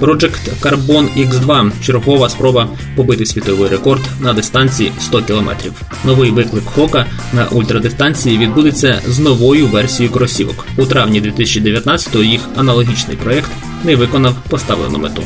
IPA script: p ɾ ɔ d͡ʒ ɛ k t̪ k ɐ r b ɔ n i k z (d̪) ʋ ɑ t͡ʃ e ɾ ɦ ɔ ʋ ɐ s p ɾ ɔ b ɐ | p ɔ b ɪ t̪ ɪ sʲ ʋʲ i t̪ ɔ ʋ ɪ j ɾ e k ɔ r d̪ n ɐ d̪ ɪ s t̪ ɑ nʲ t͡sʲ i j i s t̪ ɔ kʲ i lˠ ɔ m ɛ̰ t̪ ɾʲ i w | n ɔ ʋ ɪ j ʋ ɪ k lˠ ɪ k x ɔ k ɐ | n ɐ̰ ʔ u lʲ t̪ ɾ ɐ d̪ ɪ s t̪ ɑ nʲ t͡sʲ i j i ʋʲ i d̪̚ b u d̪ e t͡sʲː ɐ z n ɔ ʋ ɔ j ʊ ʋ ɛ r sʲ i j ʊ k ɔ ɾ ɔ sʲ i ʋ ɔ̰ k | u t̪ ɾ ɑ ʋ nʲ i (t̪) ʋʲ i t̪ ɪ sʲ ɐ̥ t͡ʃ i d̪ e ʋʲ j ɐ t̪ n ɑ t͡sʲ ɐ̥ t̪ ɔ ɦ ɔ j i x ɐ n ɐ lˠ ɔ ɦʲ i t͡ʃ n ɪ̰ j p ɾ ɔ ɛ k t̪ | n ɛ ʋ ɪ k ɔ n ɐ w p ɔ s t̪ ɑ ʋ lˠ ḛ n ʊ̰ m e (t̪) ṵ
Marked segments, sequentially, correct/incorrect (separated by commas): correct, incorrect, correct